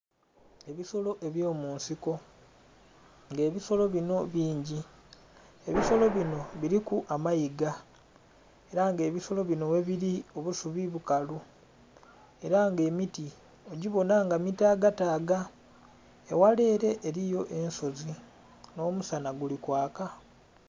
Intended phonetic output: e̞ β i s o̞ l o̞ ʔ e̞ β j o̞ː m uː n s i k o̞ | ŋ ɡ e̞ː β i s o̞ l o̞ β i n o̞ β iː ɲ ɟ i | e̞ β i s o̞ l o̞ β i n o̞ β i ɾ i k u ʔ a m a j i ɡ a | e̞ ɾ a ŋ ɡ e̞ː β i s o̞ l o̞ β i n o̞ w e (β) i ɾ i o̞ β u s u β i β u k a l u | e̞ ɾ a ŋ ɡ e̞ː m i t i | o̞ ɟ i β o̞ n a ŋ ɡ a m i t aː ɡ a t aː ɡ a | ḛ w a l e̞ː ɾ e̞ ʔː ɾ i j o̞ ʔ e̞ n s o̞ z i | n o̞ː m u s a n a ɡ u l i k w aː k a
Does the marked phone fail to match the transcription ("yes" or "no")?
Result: no